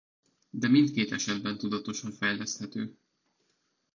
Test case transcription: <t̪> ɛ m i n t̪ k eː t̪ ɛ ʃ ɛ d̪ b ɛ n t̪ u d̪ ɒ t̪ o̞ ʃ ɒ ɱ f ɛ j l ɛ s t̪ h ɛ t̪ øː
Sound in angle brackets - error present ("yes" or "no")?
yes